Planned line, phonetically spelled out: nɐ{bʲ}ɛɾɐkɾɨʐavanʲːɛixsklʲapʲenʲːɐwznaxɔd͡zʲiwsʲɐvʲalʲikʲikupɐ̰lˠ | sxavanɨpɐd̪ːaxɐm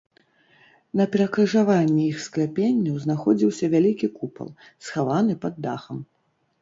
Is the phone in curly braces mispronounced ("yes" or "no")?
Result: yes